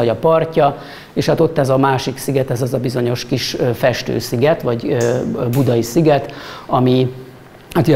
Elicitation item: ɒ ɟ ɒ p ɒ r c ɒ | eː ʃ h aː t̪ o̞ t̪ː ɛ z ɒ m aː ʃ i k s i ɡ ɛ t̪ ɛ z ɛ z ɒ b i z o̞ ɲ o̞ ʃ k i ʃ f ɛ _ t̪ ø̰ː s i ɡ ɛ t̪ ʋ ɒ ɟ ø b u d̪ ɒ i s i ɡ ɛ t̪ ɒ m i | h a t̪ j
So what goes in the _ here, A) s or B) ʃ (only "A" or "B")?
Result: B